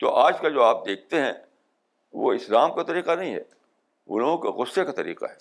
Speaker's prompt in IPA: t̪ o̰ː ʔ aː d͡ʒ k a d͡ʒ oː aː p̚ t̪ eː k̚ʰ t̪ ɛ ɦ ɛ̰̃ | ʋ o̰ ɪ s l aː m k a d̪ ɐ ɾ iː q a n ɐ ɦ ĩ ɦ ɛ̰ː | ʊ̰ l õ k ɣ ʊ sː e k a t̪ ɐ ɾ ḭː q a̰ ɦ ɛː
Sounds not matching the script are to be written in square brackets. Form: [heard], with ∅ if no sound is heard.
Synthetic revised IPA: t̪ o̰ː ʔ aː d͡ʒ k a d͡ʒ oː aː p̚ [d̪] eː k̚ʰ t̪ [e] ɦ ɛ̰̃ | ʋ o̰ ɪ s l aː m k a [t̪] ɐ ɾ iː q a n ɐ ɦ ĩ ɦ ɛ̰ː | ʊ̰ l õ k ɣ ʊ sː e k a t̪ ɐ ɾ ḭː q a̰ ɦ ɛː